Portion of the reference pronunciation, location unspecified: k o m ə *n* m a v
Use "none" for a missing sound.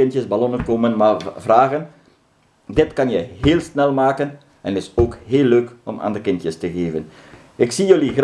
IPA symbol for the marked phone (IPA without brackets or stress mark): n